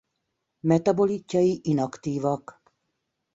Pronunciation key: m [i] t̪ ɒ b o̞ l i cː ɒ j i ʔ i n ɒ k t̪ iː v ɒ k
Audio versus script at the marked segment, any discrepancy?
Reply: yes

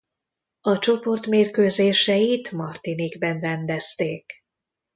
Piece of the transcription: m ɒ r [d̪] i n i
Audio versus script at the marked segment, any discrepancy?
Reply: yes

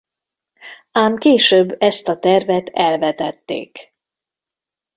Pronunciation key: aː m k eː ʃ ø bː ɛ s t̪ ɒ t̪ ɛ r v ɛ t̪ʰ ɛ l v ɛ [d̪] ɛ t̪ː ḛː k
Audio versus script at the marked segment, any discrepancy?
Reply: yes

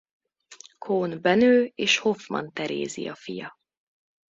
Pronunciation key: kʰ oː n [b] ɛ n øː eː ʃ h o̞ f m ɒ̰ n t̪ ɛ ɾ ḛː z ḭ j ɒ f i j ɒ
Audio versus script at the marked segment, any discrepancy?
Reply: no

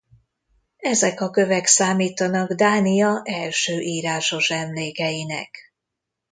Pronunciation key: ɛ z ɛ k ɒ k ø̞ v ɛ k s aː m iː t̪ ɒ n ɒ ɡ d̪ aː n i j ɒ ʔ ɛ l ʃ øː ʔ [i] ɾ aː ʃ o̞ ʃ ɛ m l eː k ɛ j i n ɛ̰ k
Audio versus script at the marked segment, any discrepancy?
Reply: yes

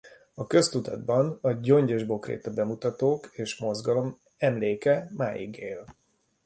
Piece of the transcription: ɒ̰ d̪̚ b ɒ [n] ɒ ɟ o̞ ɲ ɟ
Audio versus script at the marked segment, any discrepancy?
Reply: no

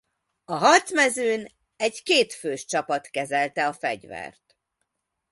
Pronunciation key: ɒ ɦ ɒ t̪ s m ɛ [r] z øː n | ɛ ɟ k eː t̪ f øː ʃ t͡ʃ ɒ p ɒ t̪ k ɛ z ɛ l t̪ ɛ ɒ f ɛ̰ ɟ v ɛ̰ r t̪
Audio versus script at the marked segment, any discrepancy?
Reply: yes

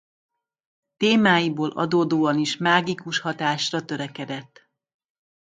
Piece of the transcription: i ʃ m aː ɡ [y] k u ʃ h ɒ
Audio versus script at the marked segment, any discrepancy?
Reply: yes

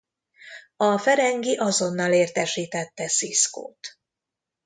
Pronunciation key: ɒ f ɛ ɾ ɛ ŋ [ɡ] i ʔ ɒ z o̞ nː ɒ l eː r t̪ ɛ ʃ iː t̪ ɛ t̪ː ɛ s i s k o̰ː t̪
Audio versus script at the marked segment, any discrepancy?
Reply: no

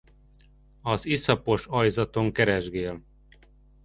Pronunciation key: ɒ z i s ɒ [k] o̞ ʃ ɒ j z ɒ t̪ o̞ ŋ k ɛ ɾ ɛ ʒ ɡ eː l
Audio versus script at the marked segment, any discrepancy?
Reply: yes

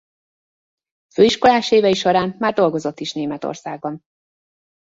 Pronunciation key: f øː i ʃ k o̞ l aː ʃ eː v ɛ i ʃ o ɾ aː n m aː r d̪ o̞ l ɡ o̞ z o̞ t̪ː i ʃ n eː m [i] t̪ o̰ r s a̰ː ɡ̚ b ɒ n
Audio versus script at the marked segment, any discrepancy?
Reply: yes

